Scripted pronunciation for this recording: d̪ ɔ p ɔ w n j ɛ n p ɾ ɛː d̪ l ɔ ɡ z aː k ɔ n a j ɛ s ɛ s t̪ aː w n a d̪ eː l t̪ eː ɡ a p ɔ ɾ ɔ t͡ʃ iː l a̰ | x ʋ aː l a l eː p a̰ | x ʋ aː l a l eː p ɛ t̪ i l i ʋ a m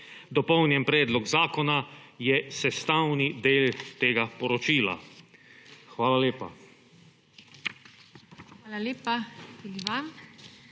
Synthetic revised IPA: d̪ ɔ p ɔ w n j ɛ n p ɾ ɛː d̪ l ɔ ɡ z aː k ɔ n a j ɛ s ɛ s t̪ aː w n i d̪ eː l t̪ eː ɡ a p ɔ ɾ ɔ t͡ʃ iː l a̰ | x ʋ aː l a l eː p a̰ | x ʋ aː l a l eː p a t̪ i l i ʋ a m